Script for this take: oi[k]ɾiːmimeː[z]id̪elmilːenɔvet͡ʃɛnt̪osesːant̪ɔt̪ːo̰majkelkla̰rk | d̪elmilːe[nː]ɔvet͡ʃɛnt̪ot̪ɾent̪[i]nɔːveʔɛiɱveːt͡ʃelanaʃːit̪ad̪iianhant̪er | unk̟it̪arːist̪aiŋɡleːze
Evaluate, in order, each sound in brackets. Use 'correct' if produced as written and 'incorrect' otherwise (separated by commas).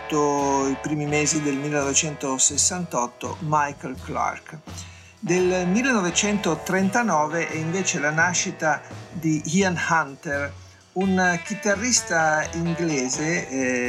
incorrect, correct, incorrect, incorrect